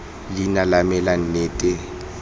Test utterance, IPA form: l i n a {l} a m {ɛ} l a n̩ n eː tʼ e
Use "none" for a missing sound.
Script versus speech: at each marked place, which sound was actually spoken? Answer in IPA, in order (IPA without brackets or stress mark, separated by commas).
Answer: l, ɛ